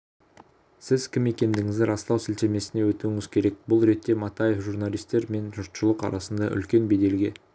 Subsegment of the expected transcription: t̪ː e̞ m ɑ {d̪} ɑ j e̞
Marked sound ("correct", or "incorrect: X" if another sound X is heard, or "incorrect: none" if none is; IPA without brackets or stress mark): incorrect: t̪